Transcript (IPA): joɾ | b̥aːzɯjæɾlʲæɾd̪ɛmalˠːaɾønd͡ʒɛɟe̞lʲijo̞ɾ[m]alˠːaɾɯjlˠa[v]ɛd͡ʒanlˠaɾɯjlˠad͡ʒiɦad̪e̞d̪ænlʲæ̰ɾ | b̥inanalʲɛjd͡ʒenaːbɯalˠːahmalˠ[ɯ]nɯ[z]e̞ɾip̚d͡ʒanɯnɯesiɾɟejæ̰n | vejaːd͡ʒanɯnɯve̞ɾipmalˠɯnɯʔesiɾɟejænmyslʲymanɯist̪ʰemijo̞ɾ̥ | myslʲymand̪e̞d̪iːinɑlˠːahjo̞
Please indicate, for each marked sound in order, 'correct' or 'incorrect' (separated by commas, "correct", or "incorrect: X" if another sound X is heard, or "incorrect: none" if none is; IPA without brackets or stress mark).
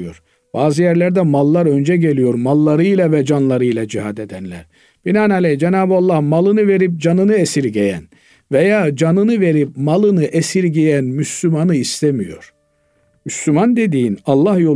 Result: correct, correct, correct, incorrect: v